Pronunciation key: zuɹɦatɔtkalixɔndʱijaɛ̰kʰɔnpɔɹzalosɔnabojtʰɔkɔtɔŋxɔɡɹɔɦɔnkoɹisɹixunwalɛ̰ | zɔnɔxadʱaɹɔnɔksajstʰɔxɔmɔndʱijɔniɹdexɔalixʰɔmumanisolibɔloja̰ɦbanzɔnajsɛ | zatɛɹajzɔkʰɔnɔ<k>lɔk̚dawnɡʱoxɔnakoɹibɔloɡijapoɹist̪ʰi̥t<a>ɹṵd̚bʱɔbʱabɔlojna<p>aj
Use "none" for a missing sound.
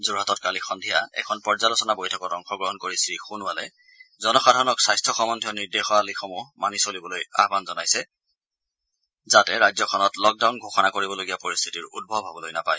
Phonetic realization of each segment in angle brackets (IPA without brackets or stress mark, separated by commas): t, i, p